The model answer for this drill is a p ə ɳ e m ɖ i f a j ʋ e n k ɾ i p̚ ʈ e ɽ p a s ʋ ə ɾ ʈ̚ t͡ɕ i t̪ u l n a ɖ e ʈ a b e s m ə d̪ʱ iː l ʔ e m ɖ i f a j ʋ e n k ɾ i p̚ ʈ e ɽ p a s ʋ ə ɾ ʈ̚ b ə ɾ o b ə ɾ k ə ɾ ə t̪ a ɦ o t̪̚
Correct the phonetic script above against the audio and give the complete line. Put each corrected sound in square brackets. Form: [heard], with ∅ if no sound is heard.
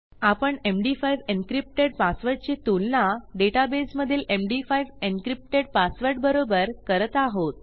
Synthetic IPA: a p ə ɳ e m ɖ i f a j ʋ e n k ɾ i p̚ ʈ e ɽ p a s ʋ ə ɾ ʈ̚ t͡ɕ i t̪ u l n a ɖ e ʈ a b e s m ə d̪ʱ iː l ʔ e m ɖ i f a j ʋ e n k ɾ i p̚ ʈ e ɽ p a s ʋ ə ɾ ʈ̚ b ə ɾ o b ə ɾ k ə ɾ ə t̪ a ɦ o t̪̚

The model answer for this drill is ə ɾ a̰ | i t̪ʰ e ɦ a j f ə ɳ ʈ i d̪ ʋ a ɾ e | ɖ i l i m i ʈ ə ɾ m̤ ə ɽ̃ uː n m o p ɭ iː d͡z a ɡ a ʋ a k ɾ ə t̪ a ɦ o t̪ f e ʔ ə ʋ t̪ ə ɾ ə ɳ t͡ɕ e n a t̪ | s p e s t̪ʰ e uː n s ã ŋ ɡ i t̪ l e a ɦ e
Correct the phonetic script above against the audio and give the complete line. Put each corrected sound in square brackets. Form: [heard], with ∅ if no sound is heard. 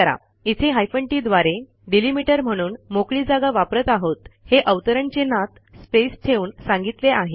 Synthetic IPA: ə ɾ a̰ | i t̪ʰ e ɦ a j f ə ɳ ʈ i d̪ ʋ a ɾ e | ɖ i l i m i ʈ ə ɾ m̤ ə ɽ̃ uː n m o [k] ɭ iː d͡z a ɡ a ʋ a [p] ɾ ə t̪ a ɦ o t̪ [h] e ʔ ə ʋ t̪ ə ɾ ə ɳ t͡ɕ e n a t̪ | s p e s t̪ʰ e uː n s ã ŋ ɡ i t̪ l e a ɦ e

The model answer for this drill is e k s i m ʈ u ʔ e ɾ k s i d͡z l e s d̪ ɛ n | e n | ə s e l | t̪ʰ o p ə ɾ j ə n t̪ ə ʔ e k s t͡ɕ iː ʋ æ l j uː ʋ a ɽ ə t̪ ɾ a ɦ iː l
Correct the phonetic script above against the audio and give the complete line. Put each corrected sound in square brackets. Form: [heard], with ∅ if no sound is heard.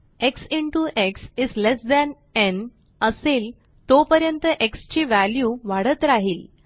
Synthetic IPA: e k s i [ɳ] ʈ u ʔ e [∅] k s i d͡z l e s d̪ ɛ n | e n | ə s e l | [t̪] o p ə ɾ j ə n t̪ ə ʔ e k s t͡ɕ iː ʋ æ l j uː ʋ a ɽ ə t̪ ɾ a ɦ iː l

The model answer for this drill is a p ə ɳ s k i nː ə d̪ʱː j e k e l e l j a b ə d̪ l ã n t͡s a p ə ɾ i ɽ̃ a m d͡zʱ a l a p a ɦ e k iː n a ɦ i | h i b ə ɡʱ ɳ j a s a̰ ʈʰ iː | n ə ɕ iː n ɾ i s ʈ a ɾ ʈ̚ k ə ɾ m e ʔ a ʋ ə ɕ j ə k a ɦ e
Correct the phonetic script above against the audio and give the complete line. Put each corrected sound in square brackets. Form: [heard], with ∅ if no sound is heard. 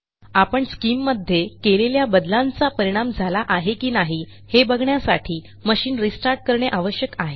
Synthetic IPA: a p ə ɳ s k i [mː] ə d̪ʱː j e k e l e l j a b ə d̪ l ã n t͡s a p ə ɾ i ɽ̃ a m d͡zʱ a l a [ʔ] a ɦ e k iː n a ɦ i | h [e] b ə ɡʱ ɳ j a s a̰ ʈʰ iː | [m] ə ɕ iː n ɾ i s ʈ a ɾ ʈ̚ k ə ɾ [ɳ] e ʔ a ʋ ə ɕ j ə k a ɦ e

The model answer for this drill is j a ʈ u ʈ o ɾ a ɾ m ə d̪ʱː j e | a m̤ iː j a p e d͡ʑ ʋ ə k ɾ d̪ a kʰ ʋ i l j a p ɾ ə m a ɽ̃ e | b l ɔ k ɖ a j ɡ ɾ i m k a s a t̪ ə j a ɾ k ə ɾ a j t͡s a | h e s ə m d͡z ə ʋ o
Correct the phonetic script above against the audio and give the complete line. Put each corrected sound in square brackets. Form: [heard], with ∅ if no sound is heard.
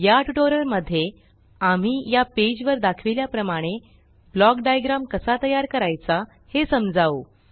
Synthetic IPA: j a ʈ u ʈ o ɾ [ə] ɾ m ə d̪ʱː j e | a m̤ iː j a p e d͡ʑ ʋ ə [∅] ɾ d̪ a kʰ ʋ i l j a p ɾ ə m a ɽ̃ e | b l ɔ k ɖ a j ɡ ɾ [a] m k [ə] s a t̪ ə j a ɾ k ə ɾ a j t͡s a | h e s ə m d͡z [a] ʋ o

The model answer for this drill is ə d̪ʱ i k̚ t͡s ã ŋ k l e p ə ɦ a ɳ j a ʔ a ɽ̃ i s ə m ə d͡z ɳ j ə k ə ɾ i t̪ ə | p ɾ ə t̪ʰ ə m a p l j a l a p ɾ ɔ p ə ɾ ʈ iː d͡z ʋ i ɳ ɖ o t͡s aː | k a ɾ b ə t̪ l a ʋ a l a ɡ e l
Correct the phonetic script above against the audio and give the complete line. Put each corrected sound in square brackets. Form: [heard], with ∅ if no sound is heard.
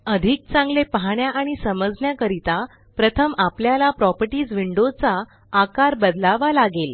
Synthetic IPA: ə d̪ʱ i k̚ t͡s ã ŋ [ɡ] l e p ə ɦ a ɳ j a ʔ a ɽ̃ i s ə m ə d͡z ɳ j [a] k ə ɾ i t̪ [a] | p ɾ ə t̪ʰ ə m a p l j a l a p ɾ ɔ p ə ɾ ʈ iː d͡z ʋ i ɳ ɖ o t͡s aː | k a ɾ b ə [d̪] l a ʋ a l a ɡ e l

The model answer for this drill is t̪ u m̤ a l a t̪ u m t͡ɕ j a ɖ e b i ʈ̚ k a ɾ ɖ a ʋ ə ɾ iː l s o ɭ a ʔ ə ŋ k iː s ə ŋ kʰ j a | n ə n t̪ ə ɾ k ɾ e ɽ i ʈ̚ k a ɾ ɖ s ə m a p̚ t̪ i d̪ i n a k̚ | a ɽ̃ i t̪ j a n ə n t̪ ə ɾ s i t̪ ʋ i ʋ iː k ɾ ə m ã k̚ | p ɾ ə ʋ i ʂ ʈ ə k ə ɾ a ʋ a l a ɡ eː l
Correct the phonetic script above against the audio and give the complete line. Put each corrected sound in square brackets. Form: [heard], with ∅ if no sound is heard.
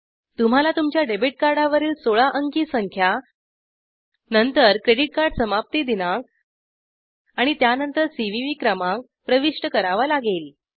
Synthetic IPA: t̪ u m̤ a l a t̪ u m t͡ɕ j a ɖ e b i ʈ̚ k a ɾ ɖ a ʋ ə ɾ iː l s o ɭ a ʔ ə ŋ k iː s ə ŋ kʰ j a | n ə n t̪ ə ɾ k ɾ e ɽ i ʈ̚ k a ɾ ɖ s ə m a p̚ t̪ i d̪ i n a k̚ | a ɽ̃ i t̪ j a n ə n t̪ ə ɾ s i [∅] ʋ i ʋ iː k ɾ ə m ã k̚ | p ɾ ə ʋ i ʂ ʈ ə k ə ɾ a ʋ a l a ɡ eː l

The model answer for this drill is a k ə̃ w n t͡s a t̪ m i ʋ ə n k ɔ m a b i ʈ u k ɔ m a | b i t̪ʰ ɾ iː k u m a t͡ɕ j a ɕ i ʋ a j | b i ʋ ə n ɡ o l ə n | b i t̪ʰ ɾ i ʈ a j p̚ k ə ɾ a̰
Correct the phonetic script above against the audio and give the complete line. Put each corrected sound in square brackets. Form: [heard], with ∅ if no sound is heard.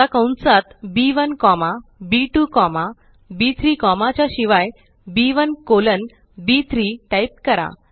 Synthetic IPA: a k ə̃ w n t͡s a t̪ [b] i ʋ ə n k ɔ m a b i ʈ u k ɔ m a | b i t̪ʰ ɾ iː k [ɔ] m a t͡ɕ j a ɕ i ʋ a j | b i ʋ ə n [k] o l ə n | b i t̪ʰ ɾ i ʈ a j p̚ k ə ɾ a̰

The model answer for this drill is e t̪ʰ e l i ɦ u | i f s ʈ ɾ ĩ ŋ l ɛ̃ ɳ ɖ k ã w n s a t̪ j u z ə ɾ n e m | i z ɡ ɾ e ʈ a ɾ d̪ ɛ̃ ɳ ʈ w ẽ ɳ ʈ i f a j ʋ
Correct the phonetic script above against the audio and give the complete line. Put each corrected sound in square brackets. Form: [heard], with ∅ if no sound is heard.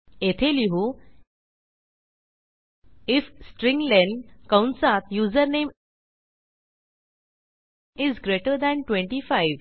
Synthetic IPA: e t̪ʰ e l i ɦ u | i f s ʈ ɾ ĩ ŋ l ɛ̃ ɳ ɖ k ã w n s a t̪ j u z ə ɾ n e m | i z ɡ ɾ e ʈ [ə] ɾ d̪ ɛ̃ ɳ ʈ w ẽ ɳ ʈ i f a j ʋ

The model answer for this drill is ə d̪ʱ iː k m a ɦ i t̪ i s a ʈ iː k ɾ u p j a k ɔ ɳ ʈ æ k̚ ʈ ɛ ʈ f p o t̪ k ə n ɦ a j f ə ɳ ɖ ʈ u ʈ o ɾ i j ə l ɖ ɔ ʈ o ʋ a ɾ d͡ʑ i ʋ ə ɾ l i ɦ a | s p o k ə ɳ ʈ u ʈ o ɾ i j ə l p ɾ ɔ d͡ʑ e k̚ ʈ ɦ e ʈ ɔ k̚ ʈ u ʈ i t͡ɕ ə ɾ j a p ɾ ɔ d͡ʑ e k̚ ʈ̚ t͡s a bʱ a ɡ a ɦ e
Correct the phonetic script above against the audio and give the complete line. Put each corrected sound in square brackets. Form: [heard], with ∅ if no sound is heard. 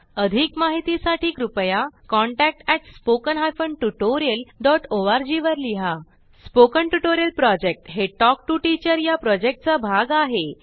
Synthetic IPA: ə d̪ʱ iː k m a ɦ i t̪ i s a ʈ iː k ɾ u p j a k ɔ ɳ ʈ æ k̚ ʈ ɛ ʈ [s] p o [∅] k ə n ɦ a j f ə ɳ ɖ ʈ u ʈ o ɾ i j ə l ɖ ɔ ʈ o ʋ a ɾ d͡ʑ i ʋ ə ɾ l i ɦ a | s p o k ə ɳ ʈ u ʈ o ɾ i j ə l p ɾ ɔ d͡ʑ e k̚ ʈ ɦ e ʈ ɔ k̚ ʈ u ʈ i t͡ɕ ə ɾ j a p ɾ ɔ d͡ʑ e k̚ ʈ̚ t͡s a bʱ a ɡ a ɦ e

